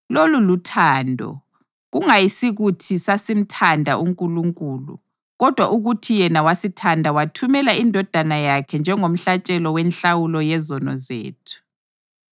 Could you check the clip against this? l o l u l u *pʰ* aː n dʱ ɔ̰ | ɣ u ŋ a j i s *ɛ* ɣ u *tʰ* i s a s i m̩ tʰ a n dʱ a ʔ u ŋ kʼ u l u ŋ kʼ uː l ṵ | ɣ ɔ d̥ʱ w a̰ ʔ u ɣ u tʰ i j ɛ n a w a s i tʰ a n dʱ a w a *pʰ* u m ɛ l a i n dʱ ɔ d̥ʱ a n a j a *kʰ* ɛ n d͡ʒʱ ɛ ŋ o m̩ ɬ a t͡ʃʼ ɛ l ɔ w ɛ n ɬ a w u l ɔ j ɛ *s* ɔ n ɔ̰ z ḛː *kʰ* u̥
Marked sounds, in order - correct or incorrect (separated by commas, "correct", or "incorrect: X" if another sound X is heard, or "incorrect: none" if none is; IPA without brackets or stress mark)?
incorrect: tʰ, incorrect: i, correct, incorrect: tʰ, correct, incorrect: z, incorrect: tʰ